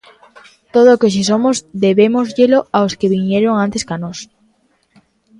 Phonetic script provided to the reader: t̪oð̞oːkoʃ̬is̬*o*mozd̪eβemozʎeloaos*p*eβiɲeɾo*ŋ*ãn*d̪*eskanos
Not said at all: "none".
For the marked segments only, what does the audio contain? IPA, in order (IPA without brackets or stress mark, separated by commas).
o, k, ŋ, t̪